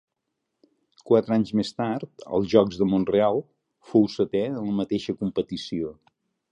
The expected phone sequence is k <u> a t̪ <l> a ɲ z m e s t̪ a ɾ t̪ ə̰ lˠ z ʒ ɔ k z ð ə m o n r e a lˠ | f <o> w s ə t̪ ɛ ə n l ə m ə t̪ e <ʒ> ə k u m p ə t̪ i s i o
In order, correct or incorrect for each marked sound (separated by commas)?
incorrect, incorrect, correct, incorrect